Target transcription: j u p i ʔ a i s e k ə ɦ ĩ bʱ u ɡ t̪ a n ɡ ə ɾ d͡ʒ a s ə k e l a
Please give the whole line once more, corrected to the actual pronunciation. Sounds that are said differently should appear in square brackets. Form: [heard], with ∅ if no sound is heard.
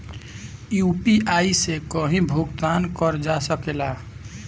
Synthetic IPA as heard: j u p i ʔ a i s e k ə ɦ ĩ bʱ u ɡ t̪ a n [k] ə ɾ d͡ʒ a s ə k e l a